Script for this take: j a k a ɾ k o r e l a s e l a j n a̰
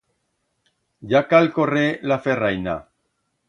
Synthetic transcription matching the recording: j a k a l k o r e l a f e r a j n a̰